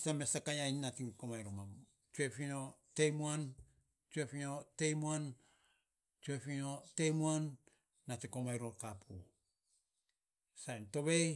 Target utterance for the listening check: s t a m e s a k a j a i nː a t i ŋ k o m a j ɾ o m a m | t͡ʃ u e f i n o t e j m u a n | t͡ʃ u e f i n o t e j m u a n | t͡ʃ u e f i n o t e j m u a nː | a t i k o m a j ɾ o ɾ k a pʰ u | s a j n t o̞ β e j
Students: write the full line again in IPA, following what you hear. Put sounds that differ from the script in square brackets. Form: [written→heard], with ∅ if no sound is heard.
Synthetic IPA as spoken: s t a m e s a k a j a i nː a t i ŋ k o m a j ɾ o m a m | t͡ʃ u e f i n o t e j m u a n | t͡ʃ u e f i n o t e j m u a n | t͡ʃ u e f i n o t e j m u a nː | a t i k o m a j ɾ o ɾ k a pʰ u | s a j n t o̞ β e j

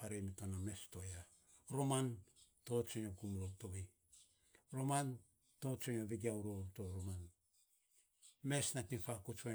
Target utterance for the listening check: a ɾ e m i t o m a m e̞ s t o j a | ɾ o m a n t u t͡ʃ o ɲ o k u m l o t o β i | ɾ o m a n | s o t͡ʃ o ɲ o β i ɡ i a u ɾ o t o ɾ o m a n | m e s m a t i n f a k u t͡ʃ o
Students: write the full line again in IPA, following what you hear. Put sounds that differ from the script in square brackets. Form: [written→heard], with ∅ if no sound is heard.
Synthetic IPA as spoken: a ɾ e m i t o [m→n] a m e̞ s t o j a | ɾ o m a n t [u→o] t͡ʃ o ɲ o k u m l o t o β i | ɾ o m a n | [s→t] o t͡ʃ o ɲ o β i ɡ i a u ɾ o t o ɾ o m a n | m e s [m→n] a t i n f a k u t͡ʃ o

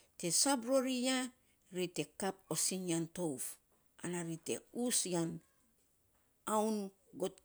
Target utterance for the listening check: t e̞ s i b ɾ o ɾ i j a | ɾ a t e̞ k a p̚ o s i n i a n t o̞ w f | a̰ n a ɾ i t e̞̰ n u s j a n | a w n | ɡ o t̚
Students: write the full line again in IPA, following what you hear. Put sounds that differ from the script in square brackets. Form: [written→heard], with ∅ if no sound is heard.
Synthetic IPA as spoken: t e̞ s [i→a] b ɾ o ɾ i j a | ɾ [a→i] t e̞ k a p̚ o s i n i a n t o̞ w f | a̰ n a ɾ i t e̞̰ [n→∅] u s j a n | a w n | ɡ o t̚

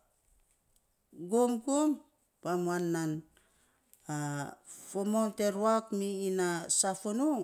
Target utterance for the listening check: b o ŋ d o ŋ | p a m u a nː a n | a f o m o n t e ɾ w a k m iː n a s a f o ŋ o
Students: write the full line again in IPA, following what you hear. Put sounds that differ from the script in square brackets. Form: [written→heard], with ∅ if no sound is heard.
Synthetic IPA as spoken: [b→ɡ] o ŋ [d→ɡ] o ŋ | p a m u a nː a n | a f o m o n t e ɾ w a k m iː n a s a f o [ŋ→n] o

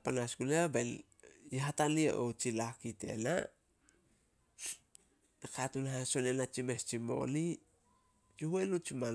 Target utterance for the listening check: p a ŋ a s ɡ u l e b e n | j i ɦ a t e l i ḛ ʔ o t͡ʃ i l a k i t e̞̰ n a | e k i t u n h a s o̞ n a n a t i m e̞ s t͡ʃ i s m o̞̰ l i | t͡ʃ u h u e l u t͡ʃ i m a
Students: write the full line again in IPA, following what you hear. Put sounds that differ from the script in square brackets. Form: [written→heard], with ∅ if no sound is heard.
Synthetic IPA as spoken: p a [ŋ→n] a s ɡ u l e b e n | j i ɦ a t [e→a] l i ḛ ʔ o t͡ʃ i l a k i t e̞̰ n a | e k [i→a] t u n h a s o̞ n [a→e] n a [t→t͡ʃ] i m e̞ s t͡ʃ i [s→∅] m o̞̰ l i | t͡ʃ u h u e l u t͡ʃ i m a

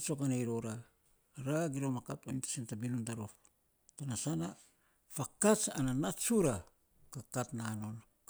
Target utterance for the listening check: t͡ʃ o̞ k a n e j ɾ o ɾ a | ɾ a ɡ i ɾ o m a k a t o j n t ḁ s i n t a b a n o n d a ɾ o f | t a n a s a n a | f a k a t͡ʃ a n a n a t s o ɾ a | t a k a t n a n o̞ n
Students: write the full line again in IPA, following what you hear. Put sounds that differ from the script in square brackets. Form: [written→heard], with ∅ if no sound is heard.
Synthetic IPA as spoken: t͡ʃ o̞ k a n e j ɾ o ɾ a | ɾ a ɡ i ɾ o m a k a t o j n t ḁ s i n t a b [a→i] n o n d a ɾ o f | t a n a s a n a | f a k a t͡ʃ a n a n a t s [o→u] ɾ a | [t→k] a k a t n a n o̞ n

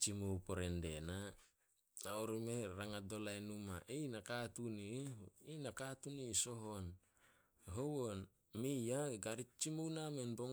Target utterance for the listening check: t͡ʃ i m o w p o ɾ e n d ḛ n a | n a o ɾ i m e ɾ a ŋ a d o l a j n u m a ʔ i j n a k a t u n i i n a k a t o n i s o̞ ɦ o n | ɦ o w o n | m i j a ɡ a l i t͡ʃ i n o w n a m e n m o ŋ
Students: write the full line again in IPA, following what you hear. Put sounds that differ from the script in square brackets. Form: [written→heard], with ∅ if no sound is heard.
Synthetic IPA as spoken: t͡ʃ i m o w p o ɾ e n d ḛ n a | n a o ɾ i m e ɾ a ŋ a d o l a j n u m a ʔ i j n a k a t u n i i n a k a t [o→u] n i s o̞ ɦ o n | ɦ o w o n | m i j a ɡ a [l→ɾ] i t͡ʃ i [n→m] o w n a m e n [m→b] o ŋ

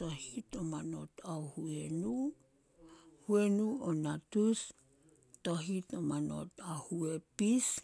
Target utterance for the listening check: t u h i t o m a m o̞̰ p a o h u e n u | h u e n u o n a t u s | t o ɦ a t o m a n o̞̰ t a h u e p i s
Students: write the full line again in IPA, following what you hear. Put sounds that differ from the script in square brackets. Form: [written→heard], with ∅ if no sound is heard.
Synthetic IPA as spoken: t [u→o] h i t o m a [m→n] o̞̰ [p→t] a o h u e n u | h u e n u o n a t u s | t o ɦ [a→i] t o m a n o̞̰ t a h u e p i s

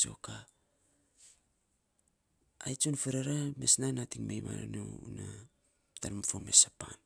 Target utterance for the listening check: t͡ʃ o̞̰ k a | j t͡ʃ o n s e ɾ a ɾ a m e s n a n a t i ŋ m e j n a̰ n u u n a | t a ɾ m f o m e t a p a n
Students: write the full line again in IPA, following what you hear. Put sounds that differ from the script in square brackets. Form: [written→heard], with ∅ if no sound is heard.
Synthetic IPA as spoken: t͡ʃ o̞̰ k a | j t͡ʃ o n [s→f] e ɾ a ɾ a m e s n a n a t i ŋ m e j [n→m] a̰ n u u n a | t a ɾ m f o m e [t→s] a p a n

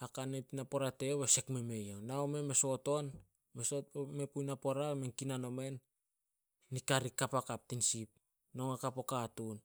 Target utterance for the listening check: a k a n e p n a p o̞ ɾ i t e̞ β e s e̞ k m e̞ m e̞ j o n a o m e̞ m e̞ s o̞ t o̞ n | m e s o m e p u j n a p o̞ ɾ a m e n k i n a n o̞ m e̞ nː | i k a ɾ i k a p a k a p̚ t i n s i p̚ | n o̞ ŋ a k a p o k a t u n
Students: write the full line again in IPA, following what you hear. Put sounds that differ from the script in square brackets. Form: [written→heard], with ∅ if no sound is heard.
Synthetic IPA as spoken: a k a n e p n a p o̞ ɾ [i→a] t e̞ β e s e̞ k m e̞ m e̞ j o n a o m e̞ m e̞ s o̞ t o̞ n | m e s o m e p u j n a p o̞ ɾ a m e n k i n a n o̞ m e̞ nː | i k a ɾ i k a p a k a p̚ t i n s i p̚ | n o̞ ŋ a k a p o k a t u n

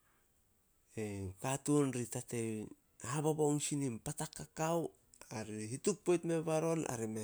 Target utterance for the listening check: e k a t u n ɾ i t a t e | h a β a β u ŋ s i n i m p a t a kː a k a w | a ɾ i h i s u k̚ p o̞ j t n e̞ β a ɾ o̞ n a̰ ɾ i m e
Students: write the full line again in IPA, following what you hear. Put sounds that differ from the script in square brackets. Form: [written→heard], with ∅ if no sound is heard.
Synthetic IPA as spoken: e k a t u n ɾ i t a t e | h a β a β [u→o] ŋ s i n i m p a t a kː a k a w | a ɾ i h i [s→t] u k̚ p o̞ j t [n→m] e̞ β a ɾ o̞ n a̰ ɾ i m e

